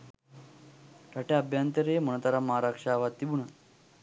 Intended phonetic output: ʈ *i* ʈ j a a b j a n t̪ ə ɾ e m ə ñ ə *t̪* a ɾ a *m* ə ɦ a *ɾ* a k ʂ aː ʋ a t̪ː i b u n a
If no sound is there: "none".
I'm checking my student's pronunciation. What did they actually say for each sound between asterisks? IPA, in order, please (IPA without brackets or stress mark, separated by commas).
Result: a, t̪, m, ɾ